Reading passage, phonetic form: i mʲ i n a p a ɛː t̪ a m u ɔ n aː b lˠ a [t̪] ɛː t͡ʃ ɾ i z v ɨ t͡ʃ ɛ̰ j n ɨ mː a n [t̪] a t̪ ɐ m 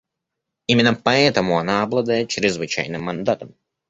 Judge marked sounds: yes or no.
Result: no, no

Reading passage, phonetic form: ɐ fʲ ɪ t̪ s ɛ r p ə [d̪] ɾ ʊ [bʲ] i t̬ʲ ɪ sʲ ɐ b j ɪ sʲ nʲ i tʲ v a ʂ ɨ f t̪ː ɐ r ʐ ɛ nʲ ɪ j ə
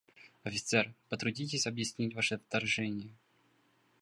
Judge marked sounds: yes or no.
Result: no, no

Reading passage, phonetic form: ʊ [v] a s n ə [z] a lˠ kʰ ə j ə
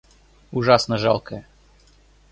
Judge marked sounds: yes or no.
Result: no, no

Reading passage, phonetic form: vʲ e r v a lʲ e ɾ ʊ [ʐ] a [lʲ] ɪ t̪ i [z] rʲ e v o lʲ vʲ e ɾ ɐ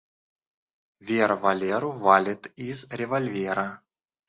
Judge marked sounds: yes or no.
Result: no, yes, yes

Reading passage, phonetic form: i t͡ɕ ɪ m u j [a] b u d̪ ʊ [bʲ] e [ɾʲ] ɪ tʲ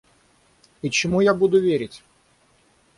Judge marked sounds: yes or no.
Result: yes, no, yes

